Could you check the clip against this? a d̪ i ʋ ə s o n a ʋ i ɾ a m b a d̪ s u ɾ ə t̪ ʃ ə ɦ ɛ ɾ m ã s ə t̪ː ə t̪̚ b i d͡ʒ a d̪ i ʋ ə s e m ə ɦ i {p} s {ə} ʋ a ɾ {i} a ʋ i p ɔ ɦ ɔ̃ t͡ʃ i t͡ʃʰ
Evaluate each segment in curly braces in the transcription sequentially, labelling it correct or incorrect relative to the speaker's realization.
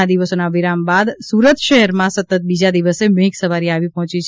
incorrect, correct, correct

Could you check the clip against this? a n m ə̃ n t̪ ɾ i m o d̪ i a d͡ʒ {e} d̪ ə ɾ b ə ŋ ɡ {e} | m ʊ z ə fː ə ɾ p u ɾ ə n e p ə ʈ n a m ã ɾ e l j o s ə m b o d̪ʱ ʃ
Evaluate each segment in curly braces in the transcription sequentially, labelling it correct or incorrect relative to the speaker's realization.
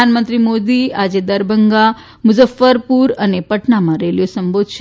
correct, incorrect

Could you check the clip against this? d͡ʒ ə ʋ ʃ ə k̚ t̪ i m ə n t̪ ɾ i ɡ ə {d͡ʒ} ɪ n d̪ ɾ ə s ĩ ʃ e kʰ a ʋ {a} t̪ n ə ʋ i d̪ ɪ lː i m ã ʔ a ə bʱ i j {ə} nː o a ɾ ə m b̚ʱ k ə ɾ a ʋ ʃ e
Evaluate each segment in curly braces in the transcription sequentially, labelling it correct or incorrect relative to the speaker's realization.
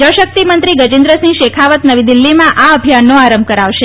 correct, incorrect, incorrect

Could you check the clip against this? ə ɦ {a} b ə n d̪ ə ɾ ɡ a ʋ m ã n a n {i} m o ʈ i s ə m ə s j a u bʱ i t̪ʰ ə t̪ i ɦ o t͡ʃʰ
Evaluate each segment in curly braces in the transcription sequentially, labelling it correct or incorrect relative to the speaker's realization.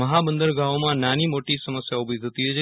correct, correct

